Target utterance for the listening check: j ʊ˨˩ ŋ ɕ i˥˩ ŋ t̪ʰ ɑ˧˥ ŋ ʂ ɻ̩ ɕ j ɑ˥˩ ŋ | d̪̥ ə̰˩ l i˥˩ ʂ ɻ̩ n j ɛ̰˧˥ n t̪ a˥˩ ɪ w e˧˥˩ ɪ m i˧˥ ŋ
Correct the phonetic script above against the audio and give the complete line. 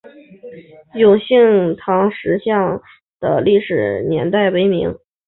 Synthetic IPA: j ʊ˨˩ ŋ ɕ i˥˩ ŋ t̪ʰ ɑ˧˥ ŋ ʂ ɻ̩ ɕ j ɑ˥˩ ŋ | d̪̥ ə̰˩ l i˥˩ ʂ ɻ̩ n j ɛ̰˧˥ n t̪ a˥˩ ɪ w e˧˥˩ ɪ m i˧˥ ŋ